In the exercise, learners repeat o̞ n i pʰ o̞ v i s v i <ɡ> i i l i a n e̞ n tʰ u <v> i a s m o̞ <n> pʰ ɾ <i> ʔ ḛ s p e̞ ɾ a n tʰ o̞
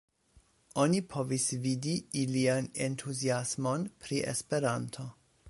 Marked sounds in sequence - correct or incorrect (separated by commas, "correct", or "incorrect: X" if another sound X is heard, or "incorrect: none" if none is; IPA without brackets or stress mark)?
incorrect: d, incorrect: z, correct, correct